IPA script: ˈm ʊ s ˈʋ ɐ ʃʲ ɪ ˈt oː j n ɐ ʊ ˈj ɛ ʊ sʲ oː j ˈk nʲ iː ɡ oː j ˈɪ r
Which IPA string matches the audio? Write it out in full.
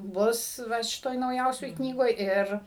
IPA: ˈb ʊ s ˈʋ ɐ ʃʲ ɪ ˈt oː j n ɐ ʊ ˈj ɛ ʊ sʲ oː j ˈk nʲ iː ɡ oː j ˈɪ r